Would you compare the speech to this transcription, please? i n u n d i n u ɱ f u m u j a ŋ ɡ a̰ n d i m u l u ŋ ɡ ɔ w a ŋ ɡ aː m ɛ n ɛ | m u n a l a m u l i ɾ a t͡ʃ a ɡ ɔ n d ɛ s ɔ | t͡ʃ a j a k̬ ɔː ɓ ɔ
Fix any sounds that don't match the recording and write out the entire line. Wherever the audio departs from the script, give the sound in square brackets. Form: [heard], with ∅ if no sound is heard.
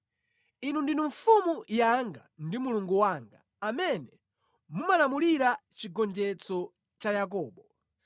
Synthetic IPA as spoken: i n u n d i n u ɱ f u m u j a ŋ ɡ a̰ n d i m u l u ŋ ɡ [u] w a ŋ ɡ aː m ɛ n ɛ | m u [m] a l a m u l i ɾ a t͡ʃ [i] ɡ ɔ n [d͡ʒ] ɛ [t͡s] ɔ | t͡ʃ a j a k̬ ɔː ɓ ɔ

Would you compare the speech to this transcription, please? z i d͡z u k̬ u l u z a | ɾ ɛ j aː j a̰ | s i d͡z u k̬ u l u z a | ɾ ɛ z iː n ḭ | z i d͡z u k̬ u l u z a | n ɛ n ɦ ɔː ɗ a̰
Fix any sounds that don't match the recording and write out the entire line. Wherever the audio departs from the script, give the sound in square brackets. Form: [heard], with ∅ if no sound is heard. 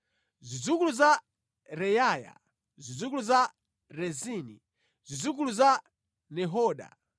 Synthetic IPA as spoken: z i d͡z u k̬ u l u z a | ɾ ɛ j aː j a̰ | [z] i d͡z u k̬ u l u z a | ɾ ɛ z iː n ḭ | z i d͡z u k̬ u l u z a | n ɛ [∅] ɦ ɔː ɗ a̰

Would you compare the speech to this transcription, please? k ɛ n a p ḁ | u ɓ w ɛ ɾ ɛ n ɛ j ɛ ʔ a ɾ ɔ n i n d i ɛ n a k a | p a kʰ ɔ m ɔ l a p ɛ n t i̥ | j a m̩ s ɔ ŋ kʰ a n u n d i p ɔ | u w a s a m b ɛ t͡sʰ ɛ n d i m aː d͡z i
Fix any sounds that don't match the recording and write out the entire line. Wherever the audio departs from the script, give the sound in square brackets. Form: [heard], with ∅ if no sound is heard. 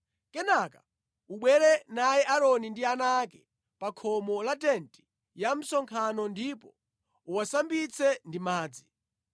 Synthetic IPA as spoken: k ɛ n a [k] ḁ | u ɓ w ɛ ɾ ɛ n [a] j ɛ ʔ a ɾ ɔ n i n d i [a] n a k [ɛ] | p a kʰ ɔ m ɔ l a [t] ɛ n t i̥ | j a m̩ s ɔ ŋ kʰ a n [ɔ] n d i p ɔ | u w a s a m b [i] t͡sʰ ɛ n d i m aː d͡z i

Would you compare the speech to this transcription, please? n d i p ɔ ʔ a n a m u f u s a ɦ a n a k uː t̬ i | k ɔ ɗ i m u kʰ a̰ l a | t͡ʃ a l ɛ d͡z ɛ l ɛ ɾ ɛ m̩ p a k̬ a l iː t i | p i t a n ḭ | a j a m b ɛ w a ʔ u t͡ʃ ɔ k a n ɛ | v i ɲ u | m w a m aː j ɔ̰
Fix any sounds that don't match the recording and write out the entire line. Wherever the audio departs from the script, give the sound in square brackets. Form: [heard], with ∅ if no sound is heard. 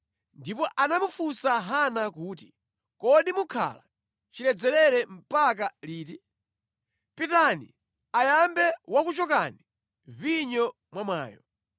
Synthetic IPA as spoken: n d i p ɔ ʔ a n a m u f u s a ɦ a n a k uː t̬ i | k ɔ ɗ i m u kʰ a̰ l a | t͡ʃ [i] l ɛ d͡z ɛ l ɛ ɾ ɛ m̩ p a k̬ a l iː t i | p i t a n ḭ | a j a m b ɛ w a [k] u t͡ʃ ɔ k a n [i] | v i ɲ [ɔ] | m w a m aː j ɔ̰

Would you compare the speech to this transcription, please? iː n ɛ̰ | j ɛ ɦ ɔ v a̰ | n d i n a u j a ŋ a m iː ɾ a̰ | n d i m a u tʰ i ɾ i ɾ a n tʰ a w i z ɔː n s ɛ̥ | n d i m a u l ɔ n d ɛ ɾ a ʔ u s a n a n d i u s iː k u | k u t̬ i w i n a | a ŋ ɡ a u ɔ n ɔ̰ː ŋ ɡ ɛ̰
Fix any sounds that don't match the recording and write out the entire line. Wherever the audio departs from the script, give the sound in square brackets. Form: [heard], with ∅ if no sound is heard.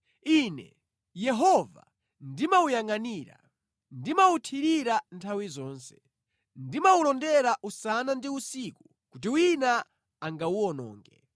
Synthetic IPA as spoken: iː n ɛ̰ | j ɛ ɦ ɔ v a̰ | n d i [m] a u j a ŋ a [n] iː ɾ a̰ | n d i m a u tʰ i ɾ i ɾ a n tʰ a w i z ɔː n s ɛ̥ | n d i m a u l ɔ n d ɛ ɾ a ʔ u s a n a n d i u s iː k u | k u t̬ i w i n a | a ŋ ɡ a u ɔ n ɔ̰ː ŋ ɡ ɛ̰

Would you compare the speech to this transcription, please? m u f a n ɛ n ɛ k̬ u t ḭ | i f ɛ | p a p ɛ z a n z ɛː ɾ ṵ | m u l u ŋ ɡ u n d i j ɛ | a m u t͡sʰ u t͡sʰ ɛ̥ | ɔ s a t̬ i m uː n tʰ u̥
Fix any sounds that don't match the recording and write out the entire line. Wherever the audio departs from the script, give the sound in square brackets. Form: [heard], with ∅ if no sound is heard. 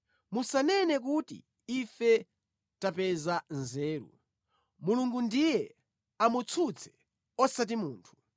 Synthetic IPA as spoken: m u [s] a n ɛ n ɛ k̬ u t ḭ | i f ɛ | [t] a p ɛ z a n z ɛː ɾ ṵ | m u l u ŋ ɡ u n d i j ɛ | a m u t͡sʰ u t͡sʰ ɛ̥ | ɔ s a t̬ i m uː n tʰ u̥

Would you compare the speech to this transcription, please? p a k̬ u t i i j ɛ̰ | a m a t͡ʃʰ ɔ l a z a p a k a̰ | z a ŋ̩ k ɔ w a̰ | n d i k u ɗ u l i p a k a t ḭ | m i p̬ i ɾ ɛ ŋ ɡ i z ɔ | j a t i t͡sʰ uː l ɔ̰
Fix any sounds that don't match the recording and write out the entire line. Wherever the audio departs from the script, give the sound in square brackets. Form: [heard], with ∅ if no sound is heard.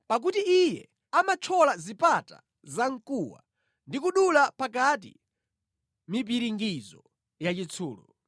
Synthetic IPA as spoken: p a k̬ u t i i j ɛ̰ | a m a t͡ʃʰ ɔ l a z [i] p a [t] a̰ | z a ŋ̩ k [u] w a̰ | n d i k u ɗ u l [a] p a k a t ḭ | m i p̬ i ɾ [i] ŋ ɡ i z ɔ | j a [t͡ʃ] i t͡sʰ uː l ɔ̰

